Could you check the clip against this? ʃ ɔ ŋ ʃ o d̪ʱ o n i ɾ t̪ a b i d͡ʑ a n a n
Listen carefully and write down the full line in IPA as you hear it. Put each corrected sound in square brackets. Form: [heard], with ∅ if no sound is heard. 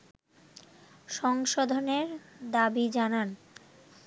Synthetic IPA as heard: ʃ ɔ ŋ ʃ o d̪ʱ o n [e] ɾ [d̪] a b i d͡ʑ a n a n

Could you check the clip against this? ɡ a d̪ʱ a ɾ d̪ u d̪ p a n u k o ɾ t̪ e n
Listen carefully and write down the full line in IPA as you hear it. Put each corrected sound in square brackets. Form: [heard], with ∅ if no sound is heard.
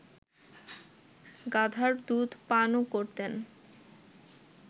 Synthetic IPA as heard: ɡ a d̪ʱ a ɾ d̪ u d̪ p a n [o] k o ɾ t̪ e n

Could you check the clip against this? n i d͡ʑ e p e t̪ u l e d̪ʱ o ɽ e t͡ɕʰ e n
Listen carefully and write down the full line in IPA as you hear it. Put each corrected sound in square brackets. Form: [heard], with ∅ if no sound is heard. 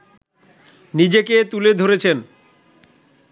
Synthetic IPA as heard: n i d͡ʑ e [k] e t̪ u l e d̪ʱ o [ɾ] e t͡ɕʰ e n

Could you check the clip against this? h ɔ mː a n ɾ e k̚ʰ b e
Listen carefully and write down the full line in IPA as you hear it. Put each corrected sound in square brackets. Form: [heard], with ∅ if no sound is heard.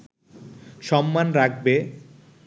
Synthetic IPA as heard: [ʃ] ɔ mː a n ɾ [a] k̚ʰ b e

